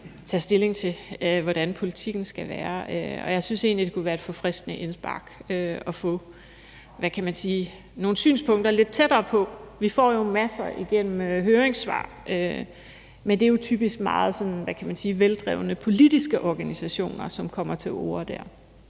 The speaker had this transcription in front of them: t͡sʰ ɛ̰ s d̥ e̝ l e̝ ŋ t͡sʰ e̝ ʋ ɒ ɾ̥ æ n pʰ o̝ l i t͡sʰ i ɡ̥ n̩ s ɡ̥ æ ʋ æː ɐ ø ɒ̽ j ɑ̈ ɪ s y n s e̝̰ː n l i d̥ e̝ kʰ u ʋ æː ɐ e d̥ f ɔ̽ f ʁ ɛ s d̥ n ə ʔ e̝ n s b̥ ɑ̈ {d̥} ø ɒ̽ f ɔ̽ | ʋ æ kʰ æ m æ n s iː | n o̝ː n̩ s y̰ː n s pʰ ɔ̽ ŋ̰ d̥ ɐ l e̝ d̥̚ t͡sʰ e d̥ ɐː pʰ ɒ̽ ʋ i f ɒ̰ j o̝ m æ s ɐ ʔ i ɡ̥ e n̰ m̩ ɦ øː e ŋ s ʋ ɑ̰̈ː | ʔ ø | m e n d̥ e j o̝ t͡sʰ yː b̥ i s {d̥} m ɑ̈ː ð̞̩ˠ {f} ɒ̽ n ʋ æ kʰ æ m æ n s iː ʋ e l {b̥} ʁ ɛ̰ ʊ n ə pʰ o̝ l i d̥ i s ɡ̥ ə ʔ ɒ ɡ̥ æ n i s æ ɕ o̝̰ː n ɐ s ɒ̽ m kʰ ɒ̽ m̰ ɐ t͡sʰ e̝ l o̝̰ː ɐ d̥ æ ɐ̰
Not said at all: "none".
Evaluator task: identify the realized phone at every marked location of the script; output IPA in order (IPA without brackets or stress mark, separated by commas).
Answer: ɡ̥, ɡ̥, s, d̥